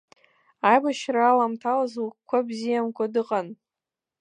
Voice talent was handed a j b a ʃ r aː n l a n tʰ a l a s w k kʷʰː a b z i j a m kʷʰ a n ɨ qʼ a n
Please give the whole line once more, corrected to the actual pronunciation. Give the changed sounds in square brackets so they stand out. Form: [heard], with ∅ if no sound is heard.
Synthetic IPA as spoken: a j b a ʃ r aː [∅] l a [m] tʰ a l a [z] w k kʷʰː a b z i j a m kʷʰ a [d] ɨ qʼ a n

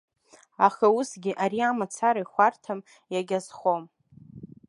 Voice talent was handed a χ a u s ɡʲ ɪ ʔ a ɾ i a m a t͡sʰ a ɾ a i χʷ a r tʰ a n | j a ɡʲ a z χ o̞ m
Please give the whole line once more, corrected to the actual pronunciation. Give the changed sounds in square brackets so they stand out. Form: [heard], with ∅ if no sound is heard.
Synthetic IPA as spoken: a χ a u s ɡʲ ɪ ʔ a ɾ i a m a t͡sʰ a ɾ a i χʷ a r tʰ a [m] | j a ɡʲ a z χ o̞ m

